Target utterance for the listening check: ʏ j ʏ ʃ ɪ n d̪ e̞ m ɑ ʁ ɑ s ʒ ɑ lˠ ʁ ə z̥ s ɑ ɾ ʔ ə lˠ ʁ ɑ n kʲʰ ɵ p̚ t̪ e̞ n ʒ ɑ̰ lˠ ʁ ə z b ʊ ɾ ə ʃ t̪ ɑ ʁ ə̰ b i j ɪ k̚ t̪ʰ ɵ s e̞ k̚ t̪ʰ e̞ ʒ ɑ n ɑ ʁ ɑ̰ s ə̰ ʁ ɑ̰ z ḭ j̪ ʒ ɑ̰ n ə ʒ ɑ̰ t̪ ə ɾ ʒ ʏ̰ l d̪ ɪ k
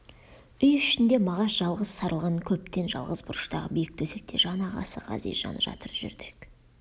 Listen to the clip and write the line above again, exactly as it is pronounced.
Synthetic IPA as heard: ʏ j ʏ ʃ ɪ n d̪ e̞ m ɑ ʁ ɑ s ʒ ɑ lˠ ʁ ə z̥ s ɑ ɾ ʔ ə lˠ ʁ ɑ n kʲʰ ɵ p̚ t̪ e̞ n ʒ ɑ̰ lˠ ʁ ə z b ʊ ɾ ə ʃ t̪ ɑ ʁ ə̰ b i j ɪ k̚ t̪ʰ ɵ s e̞ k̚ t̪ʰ e̞ ʒ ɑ n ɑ ʁ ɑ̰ s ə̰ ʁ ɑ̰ z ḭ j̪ ʒ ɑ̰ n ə ʒ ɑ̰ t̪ ə ɾ ʒ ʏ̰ ɾ d̪ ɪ k